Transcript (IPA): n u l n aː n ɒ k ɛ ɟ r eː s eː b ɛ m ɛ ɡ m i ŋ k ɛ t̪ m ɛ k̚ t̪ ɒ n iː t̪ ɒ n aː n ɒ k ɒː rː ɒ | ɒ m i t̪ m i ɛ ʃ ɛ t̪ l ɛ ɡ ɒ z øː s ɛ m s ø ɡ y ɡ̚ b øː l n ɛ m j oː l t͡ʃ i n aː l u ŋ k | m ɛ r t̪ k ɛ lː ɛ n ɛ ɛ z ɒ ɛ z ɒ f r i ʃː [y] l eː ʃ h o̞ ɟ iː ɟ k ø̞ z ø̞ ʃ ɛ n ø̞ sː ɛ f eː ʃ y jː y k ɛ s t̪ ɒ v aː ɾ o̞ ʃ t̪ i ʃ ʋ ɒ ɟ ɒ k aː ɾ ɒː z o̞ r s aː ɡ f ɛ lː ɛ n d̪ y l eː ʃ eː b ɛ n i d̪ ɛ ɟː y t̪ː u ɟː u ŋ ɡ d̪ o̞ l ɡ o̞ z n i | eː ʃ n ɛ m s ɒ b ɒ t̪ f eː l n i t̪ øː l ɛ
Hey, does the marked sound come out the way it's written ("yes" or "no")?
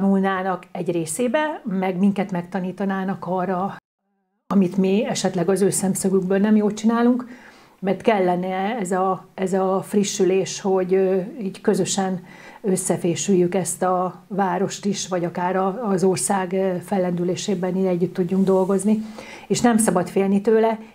yes